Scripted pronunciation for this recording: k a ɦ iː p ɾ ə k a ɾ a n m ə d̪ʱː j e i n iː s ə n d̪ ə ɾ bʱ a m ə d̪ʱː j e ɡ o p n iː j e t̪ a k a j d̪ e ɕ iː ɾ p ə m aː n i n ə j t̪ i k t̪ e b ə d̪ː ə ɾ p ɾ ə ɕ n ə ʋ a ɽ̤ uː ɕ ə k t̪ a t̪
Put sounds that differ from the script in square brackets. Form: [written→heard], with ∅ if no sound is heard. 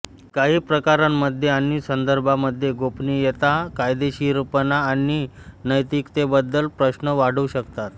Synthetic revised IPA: k a ɦ iː p ɾ ə k a ɾ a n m ə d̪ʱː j e [i→a] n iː s ə n d̪ ə ɾ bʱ a m ə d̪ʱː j e ɡ o p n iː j e t̪ a k a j d̪ e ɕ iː ɾ p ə [m→n] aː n i n ə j t̪ i k t̪ e b ə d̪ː ə [ɾ→l] p ɾ ə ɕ n ə ʋ a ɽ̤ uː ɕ ə k t̪ a t̪